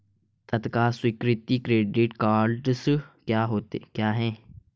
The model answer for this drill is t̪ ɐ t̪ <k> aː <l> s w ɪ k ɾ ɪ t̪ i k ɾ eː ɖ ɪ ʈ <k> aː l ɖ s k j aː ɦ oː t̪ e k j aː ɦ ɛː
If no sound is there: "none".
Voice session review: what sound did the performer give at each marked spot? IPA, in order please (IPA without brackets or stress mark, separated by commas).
k, none, k